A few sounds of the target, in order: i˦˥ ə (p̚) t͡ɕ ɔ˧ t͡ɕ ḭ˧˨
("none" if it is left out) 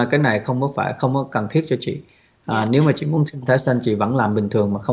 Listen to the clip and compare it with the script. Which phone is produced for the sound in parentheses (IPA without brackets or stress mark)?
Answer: t̚